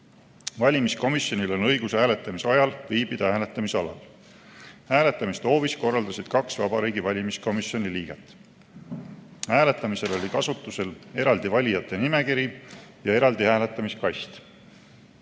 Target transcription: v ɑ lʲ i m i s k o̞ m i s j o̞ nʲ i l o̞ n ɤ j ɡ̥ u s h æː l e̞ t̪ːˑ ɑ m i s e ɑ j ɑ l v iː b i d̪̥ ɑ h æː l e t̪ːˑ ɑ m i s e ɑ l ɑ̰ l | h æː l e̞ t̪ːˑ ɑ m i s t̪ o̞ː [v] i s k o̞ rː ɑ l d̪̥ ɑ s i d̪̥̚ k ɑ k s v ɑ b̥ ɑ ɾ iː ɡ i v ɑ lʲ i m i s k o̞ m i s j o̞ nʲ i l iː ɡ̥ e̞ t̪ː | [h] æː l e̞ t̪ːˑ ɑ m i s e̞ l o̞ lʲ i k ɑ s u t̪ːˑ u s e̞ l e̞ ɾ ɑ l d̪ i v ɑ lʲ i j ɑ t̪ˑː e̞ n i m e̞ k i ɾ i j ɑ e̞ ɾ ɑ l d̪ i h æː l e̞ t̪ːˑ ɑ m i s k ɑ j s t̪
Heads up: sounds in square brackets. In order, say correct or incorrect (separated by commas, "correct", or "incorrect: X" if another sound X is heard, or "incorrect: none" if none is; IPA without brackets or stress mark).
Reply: correct, correct